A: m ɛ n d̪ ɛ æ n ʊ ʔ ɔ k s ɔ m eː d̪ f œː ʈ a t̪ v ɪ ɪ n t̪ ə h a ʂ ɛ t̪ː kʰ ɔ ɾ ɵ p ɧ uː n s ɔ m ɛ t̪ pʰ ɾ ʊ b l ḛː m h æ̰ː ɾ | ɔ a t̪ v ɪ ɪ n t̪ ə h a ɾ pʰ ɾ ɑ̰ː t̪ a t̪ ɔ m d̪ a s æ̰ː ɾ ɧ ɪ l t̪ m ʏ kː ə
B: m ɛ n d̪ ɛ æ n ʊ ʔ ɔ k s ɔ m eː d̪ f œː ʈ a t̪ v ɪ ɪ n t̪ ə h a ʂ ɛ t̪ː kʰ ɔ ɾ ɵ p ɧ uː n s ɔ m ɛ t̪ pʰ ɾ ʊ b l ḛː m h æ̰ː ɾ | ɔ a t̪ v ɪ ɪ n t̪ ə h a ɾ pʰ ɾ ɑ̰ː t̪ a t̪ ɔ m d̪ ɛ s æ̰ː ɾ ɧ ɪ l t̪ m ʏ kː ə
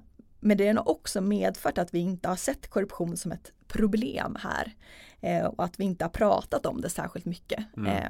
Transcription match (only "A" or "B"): B